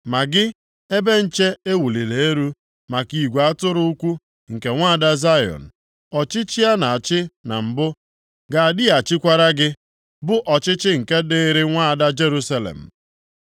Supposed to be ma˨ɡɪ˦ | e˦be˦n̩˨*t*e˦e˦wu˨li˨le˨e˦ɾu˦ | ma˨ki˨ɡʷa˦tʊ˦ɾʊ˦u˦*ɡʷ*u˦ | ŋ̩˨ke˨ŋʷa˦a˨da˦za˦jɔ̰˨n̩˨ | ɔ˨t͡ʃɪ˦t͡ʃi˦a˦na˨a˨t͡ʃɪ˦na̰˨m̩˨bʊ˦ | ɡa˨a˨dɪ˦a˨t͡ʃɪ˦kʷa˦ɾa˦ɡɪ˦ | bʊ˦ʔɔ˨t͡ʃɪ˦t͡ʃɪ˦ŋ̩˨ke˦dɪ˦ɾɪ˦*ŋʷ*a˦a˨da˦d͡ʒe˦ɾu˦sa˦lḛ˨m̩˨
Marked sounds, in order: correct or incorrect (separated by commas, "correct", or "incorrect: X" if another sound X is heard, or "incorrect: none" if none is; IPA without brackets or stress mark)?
incorrect: t͡ʃ, incorrect: kʷ, correct